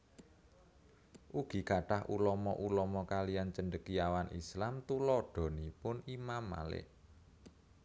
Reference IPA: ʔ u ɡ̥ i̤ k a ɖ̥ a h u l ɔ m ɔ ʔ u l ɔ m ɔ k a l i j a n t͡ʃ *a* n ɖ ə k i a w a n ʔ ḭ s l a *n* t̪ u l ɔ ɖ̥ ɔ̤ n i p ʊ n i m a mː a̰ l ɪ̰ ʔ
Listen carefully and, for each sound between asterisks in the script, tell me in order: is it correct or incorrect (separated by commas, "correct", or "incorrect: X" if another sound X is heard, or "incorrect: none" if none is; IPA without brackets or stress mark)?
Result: incorrect: ə, incorrect: m